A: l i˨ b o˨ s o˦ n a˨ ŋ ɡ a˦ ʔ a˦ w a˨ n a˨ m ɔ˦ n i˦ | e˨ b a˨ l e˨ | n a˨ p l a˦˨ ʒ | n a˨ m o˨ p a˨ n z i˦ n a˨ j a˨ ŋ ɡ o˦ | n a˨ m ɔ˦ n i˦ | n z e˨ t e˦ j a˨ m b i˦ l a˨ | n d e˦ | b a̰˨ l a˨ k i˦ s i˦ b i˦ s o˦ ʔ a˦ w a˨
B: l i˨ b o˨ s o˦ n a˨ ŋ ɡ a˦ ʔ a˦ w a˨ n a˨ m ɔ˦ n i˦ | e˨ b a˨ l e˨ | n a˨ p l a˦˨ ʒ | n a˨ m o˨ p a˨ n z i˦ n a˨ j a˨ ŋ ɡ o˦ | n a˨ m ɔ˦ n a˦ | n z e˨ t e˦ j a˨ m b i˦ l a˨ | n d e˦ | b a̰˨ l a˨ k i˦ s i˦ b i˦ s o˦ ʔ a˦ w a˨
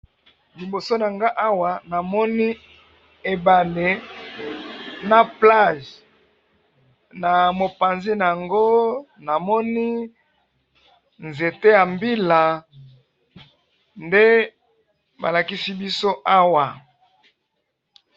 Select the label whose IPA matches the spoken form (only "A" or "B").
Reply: A